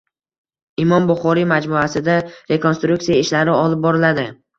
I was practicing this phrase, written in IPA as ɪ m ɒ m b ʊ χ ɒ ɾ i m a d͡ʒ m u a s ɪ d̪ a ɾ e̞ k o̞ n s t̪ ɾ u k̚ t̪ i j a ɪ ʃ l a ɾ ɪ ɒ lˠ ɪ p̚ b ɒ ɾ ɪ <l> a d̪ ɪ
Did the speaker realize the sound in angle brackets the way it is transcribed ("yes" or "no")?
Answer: yes